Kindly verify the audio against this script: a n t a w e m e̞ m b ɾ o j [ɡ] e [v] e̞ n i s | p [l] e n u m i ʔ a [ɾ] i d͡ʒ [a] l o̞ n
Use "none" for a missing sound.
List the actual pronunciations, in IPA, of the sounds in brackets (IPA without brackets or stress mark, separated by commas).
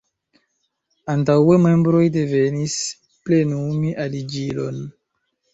d, v, l, l, i